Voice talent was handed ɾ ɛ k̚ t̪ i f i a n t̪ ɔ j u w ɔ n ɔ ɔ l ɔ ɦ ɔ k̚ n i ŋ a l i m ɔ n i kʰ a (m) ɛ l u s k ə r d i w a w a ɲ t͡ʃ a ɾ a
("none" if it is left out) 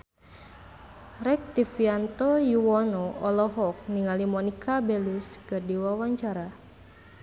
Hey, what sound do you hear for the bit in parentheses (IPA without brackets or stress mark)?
b